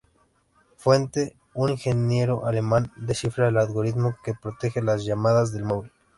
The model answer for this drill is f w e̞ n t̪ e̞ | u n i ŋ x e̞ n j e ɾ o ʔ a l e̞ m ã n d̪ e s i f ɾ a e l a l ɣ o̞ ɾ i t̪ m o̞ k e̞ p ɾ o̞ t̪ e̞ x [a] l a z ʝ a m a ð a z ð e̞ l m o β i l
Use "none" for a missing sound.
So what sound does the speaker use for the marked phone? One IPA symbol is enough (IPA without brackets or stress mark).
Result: e